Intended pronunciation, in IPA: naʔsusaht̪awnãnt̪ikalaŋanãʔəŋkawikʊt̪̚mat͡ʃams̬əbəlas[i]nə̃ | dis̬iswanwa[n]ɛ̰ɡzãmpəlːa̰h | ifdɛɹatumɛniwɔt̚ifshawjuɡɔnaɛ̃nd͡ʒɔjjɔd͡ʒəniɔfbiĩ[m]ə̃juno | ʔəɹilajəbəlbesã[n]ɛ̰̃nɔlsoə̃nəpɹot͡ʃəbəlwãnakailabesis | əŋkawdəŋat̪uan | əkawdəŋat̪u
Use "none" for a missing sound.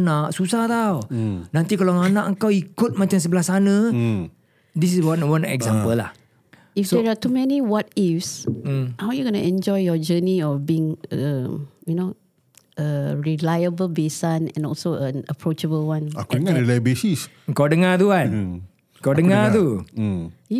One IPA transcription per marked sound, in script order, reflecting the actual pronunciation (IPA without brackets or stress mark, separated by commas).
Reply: a, n, ŋ, n